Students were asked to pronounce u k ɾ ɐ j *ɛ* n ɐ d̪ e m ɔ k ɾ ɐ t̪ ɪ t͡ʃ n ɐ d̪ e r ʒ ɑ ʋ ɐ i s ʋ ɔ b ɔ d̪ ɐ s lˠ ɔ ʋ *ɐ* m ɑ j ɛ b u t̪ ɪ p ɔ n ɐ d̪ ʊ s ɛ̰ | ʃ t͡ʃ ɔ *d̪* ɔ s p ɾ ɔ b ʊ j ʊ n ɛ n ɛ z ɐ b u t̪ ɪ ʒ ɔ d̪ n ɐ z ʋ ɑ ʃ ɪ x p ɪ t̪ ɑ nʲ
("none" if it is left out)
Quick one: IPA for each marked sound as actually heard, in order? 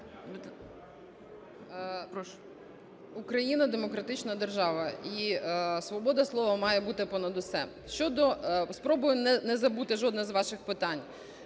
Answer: i, ɐ, d̪

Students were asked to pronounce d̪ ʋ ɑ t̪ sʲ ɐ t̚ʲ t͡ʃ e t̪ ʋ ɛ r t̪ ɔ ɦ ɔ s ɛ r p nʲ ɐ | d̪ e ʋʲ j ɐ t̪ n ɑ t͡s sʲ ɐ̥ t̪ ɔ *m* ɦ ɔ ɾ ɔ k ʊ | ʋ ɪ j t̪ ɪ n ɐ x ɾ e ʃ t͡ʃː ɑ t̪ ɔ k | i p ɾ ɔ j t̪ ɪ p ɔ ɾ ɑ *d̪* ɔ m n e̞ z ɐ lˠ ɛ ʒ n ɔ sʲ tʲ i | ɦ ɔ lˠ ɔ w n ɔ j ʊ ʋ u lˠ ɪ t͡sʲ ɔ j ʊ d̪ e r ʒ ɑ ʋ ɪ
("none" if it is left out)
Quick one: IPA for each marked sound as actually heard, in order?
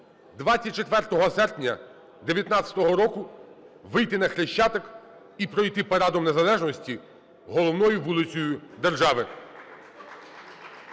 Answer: none, d̪

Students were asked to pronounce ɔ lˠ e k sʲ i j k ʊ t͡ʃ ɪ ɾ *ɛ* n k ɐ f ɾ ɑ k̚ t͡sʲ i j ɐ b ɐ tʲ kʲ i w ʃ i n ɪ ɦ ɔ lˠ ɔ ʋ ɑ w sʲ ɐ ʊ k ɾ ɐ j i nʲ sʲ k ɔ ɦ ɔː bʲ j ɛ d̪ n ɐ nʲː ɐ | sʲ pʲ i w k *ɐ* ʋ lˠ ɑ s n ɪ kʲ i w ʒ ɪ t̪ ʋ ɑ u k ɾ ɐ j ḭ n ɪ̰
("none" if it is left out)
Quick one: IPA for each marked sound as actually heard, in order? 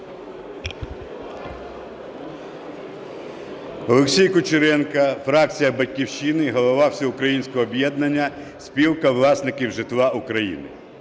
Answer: ɛ, ɐ

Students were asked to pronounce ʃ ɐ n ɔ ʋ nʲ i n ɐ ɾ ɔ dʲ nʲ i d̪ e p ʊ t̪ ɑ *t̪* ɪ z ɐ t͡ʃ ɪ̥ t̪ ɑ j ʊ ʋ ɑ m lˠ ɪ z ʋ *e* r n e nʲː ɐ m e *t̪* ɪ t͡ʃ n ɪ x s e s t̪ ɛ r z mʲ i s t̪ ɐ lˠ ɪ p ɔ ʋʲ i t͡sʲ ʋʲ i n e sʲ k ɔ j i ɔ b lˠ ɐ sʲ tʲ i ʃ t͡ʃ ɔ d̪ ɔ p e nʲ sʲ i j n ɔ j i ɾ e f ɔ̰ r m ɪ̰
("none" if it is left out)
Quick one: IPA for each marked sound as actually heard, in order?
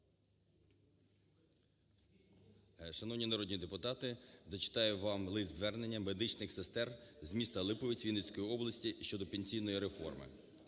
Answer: t̪, ɛ, d̪

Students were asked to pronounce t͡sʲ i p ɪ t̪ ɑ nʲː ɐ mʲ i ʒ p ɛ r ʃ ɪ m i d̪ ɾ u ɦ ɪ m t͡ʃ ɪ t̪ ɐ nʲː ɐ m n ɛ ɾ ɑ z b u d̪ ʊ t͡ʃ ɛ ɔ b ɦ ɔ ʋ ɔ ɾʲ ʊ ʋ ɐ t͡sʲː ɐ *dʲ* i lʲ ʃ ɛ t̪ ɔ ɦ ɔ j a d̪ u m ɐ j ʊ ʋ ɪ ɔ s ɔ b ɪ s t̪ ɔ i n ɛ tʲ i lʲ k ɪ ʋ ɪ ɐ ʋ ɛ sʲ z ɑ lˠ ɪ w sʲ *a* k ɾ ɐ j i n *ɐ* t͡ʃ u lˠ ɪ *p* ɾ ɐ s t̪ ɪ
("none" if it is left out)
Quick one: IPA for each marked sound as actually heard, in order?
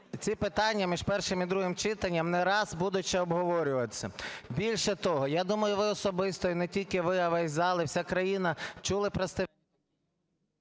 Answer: bʲ, a, ɐ, p

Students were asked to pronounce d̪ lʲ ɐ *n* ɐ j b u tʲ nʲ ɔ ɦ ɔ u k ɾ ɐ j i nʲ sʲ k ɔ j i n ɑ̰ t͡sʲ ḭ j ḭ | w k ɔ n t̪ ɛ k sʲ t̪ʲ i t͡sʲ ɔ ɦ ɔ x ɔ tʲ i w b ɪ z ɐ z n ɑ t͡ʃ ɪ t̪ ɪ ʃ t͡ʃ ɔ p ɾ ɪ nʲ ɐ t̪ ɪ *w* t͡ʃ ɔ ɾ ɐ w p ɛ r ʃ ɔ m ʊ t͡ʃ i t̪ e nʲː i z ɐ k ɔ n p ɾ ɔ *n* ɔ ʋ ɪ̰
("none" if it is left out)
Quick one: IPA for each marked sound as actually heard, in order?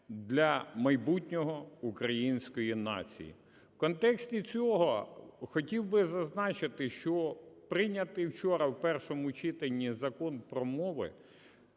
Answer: m, w, m

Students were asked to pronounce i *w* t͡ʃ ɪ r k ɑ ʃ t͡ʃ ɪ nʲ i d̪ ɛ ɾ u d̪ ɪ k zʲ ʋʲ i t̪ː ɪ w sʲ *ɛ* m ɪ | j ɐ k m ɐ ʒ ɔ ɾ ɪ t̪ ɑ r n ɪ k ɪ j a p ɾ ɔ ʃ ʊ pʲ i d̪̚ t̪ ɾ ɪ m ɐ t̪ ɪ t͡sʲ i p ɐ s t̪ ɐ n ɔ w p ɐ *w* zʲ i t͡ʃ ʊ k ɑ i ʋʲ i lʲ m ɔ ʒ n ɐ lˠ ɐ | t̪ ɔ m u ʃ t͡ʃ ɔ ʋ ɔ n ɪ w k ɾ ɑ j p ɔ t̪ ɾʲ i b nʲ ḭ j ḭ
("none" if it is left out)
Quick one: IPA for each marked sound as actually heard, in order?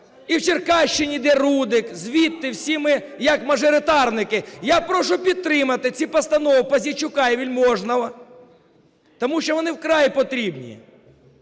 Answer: w, i, none

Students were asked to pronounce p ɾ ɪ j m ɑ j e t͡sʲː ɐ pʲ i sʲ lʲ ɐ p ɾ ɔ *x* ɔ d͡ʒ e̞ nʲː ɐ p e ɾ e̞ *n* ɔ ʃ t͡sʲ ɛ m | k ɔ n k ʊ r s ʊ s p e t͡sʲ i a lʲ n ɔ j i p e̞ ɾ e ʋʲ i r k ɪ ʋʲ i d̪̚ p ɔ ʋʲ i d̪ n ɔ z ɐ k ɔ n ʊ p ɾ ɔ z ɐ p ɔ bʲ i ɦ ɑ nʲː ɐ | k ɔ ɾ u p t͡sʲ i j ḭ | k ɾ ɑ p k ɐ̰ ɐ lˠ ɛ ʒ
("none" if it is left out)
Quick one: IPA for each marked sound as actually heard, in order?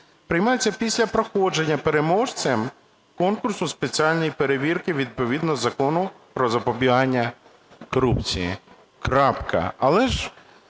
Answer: x, m

